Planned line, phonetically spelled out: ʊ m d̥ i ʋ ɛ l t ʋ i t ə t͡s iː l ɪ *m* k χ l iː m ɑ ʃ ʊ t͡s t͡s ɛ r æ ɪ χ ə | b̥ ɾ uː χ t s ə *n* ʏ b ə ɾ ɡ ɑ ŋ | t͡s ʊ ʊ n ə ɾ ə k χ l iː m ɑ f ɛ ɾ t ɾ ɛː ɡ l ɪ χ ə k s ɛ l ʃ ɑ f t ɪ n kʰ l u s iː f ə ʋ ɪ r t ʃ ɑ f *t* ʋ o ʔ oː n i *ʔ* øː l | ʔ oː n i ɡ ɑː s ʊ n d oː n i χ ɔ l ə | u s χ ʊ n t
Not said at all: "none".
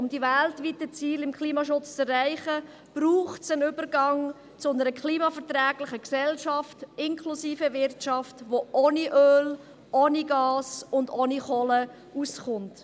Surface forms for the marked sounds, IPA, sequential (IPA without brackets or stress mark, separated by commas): m, n, t, ʔ